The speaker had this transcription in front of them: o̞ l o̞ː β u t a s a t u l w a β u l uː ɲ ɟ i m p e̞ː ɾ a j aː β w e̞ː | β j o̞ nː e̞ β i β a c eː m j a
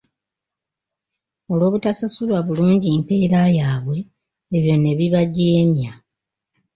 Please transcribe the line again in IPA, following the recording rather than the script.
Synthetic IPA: o̞ l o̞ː β u t a s a s u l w a β u l uː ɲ ɟ i m p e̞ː ɾ a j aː β w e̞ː | β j o̞ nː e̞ β i β a ɟ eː m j a